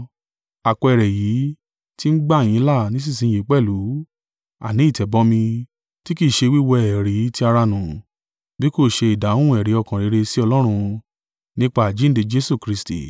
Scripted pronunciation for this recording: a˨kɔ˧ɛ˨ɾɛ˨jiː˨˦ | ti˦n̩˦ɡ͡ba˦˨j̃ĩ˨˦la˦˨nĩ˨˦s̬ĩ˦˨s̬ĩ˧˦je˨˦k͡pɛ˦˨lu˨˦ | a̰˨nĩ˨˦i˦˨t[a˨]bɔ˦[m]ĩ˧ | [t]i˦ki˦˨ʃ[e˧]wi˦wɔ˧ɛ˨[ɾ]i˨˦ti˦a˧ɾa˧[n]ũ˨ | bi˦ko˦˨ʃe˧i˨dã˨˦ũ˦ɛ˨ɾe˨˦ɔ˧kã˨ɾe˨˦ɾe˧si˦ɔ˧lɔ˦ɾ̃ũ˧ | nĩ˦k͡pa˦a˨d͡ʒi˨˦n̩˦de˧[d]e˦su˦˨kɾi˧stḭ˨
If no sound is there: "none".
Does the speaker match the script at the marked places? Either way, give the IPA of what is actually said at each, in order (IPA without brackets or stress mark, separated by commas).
ɛ˨, m, t, e˧, ɾ, n, d͡ʒ